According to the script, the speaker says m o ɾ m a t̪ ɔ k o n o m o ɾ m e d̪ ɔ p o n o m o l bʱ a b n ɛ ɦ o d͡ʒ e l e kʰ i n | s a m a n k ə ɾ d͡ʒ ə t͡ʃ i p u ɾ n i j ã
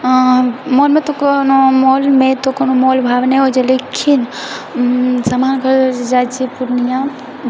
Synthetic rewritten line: m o l m e t̪ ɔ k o n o m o l m e t̪ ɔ k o n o m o l bʱ a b n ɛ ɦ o d͡ʒ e l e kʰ i n | s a m a n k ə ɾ d͡ʒ a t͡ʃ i p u ɾ n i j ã